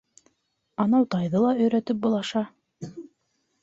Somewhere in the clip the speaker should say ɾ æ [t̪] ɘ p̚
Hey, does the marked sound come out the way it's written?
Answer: yes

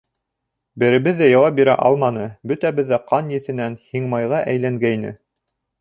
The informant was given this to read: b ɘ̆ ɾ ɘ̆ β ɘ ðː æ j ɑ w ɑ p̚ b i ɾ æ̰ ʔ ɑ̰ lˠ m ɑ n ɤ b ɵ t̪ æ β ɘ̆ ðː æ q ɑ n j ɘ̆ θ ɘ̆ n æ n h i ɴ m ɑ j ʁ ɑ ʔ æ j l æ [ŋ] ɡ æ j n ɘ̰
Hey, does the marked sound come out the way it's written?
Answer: yes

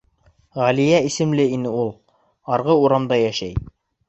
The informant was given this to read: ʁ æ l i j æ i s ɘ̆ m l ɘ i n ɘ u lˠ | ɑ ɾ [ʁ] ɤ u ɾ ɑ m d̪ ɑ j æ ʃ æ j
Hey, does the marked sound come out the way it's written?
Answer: yes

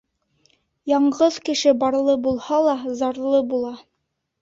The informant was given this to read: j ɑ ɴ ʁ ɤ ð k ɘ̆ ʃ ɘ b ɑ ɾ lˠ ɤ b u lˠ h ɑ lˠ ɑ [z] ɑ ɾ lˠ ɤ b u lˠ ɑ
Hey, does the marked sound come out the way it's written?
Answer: yes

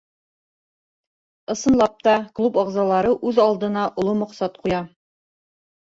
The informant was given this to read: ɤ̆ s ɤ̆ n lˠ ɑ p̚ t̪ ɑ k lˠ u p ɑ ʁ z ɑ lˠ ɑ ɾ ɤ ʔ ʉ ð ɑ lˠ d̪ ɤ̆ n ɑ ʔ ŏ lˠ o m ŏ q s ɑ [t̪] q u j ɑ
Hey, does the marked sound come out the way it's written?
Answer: yes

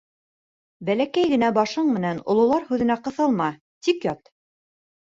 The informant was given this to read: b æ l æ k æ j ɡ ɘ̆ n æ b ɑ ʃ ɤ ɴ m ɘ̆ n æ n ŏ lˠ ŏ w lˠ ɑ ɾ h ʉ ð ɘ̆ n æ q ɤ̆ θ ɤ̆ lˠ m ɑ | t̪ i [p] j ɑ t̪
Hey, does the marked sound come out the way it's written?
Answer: no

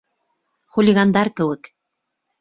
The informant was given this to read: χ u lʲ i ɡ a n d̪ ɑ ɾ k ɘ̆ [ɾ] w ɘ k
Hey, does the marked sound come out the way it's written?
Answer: no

